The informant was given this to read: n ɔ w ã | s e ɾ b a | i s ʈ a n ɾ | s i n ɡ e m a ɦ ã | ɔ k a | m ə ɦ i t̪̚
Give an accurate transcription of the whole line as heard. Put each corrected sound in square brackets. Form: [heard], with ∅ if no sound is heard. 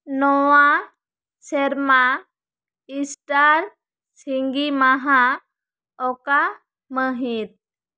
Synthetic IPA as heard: n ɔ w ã | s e ɾ [m] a | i s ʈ a [∅] ɾ | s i [ŋ] ɡ [i] m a ɦ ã | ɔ k a | m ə ɦ i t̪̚